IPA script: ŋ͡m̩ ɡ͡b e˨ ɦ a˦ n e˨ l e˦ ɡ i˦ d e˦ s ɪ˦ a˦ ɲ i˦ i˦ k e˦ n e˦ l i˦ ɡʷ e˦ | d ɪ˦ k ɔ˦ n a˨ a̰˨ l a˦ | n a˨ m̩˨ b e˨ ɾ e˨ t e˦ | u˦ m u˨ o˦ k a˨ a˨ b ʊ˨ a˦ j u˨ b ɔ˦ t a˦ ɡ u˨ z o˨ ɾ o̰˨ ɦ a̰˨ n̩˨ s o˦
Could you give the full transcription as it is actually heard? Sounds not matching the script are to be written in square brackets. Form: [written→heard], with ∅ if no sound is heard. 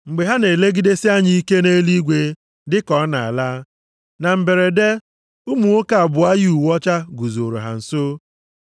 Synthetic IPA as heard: ŋ͡m̩ ɡ͡b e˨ ɦ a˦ n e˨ l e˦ ɡ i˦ d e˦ s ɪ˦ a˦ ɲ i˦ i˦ k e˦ n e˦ l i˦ ɡʷ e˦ | d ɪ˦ k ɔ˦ n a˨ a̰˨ l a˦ | n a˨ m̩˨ b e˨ ɾ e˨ [t→d] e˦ | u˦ m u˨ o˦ k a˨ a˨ b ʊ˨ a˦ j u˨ [b→w] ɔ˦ [t→t͡ʃ] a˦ ɡ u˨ z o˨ ɾ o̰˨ ɦ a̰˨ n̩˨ s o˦

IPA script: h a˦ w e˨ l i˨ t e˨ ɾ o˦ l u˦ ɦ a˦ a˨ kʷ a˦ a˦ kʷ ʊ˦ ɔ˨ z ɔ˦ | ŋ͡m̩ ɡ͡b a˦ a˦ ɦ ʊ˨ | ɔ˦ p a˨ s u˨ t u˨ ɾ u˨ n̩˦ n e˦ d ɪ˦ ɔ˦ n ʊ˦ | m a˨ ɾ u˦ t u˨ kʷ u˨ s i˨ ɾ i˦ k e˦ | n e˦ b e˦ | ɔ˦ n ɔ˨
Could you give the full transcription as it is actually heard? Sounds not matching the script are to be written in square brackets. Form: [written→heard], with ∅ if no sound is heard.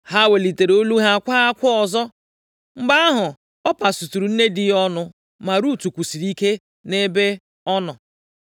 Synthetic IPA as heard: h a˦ w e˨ l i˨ t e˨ ɾ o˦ l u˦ ɦ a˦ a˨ kʷ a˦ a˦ kʷ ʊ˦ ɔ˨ z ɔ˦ | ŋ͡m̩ ɡ͡b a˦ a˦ ɦ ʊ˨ | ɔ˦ p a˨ s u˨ t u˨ ɾ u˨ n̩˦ n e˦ d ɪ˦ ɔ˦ n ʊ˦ | m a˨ ɾ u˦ t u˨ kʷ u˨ s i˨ ɾ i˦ k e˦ | n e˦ b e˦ | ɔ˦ n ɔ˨

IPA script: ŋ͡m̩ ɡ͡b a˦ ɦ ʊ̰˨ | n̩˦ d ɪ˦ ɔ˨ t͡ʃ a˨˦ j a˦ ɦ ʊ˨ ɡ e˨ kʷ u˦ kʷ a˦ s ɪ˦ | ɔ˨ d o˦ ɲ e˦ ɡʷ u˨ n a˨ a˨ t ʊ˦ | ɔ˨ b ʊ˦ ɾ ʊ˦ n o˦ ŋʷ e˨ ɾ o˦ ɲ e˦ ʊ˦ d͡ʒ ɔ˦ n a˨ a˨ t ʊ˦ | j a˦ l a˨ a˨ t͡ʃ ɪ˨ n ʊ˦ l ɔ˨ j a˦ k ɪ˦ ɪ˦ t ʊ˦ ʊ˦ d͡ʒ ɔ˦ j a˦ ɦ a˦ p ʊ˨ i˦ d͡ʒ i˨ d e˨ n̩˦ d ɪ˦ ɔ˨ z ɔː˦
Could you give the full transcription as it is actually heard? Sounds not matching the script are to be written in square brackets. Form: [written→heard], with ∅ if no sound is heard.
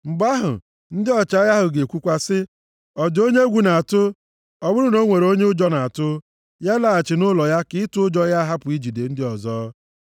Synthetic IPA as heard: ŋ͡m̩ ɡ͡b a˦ ɦ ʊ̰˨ | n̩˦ d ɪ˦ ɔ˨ t͡ʃ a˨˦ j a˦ ɦ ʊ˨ ɡ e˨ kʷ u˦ kʷ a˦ s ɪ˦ | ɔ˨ d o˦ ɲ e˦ ɡʷ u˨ n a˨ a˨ t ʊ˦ | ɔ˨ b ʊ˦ ɾ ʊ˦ n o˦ ŋʷ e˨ ɾ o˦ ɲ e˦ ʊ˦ d͡ʒ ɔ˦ n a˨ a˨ t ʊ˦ | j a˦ l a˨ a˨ t͡ʃ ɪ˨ n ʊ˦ l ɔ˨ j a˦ k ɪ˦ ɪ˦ t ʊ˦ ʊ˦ d͡ʒ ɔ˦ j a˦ ɦ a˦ p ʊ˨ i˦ d͡ʒ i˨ d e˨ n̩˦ d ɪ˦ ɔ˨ z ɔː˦

